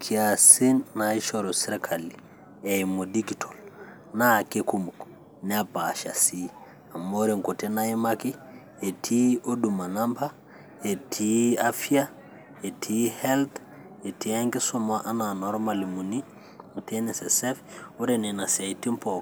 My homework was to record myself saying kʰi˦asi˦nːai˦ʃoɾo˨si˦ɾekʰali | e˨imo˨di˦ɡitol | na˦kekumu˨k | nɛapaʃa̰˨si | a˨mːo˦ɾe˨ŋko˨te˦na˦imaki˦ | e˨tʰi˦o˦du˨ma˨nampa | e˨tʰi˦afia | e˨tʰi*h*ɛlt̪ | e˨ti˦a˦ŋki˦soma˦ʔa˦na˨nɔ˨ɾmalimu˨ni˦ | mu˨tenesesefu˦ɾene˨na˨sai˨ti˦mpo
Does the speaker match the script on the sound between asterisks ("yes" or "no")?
yes